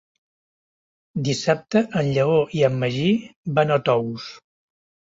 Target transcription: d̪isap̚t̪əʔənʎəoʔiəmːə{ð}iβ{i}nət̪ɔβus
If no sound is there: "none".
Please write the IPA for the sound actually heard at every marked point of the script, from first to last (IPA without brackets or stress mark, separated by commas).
ʒ, a